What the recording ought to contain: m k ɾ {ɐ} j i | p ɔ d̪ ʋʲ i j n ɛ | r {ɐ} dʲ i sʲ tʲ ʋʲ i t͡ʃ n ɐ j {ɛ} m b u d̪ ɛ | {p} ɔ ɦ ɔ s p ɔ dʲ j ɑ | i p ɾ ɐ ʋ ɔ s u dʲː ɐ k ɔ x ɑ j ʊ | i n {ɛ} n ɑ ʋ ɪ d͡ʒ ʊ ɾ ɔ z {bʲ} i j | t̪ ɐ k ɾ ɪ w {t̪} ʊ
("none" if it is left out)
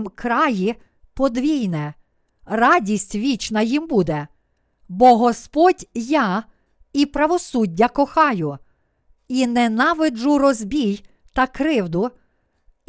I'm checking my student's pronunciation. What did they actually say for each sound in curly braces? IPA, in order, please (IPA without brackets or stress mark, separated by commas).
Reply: ɑ, ɑ, i, b, ɛ, bʲ, d̪